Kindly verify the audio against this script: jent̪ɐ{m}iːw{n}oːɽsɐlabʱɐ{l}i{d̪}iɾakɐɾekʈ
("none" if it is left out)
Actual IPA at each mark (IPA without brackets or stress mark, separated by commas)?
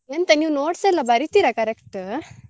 n, n, ɾ, t̪